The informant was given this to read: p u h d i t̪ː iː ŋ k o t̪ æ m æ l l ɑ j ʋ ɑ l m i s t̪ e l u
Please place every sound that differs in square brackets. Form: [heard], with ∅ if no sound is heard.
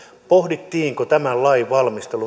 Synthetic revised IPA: p [o] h d i t̪ː iː ŋ k o t̪ æ m æ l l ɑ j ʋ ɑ l m i s t̪ e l u